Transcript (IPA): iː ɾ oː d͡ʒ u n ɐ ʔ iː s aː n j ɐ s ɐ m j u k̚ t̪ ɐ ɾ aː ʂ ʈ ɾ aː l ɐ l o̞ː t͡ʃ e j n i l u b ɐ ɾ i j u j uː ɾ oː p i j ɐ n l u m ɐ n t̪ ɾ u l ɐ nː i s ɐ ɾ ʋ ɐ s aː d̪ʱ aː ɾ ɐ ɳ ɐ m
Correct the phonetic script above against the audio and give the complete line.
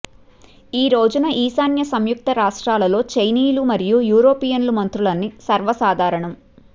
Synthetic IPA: iː ɾ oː d͡ʒ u n ɐ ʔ iː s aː n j ɐ s ɐ m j u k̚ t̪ ɐ ɾ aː ʂ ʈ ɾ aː l ɐ l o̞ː t͡ʃ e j n iː l u m ɐ ɾ i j u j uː ɾ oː p i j ɐ n l u m ɐ n t̪ ɾ u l ɐ nː i s ɐ ɾ ʋ ɐ s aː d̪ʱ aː ɾ ɐ ɳ ɐ m